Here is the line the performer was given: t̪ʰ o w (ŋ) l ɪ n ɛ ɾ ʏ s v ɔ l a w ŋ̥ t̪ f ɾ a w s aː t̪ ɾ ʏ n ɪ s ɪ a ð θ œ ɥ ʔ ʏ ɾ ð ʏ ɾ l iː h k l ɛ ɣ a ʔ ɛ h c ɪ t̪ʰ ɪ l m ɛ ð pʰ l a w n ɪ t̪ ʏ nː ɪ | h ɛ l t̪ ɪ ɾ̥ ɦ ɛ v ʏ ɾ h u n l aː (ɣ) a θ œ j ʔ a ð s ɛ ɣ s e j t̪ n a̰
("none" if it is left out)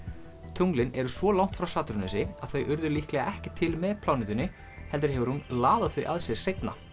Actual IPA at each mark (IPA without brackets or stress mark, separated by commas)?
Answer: ŋ, ð